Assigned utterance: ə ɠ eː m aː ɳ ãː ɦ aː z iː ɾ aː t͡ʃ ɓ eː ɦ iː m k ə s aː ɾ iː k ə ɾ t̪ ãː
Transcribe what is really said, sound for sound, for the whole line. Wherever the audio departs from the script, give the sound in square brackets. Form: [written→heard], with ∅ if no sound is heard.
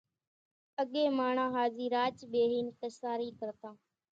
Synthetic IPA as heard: ə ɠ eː m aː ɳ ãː ɦ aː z iː ɾ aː t͡ʃ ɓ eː ɦ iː [m→n] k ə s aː ɾ iː k ə ɾ t̪ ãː